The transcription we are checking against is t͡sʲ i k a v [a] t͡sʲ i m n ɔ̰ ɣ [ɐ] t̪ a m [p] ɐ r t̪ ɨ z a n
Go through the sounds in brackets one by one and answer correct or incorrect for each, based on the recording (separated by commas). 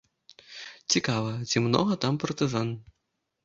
incorrect, correct, correct